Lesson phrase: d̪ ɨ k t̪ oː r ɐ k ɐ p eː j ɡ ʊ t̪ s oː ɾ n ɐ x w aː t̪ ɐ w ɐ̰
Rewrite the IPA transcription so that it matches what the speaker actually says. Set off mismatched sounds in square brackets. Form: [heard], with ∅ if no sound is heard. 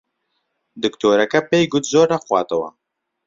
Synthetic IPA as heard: d̪ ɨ k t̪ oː [ɾ] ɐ k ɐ p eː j ɡ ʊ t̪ [z] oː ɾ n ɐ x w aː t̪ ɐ w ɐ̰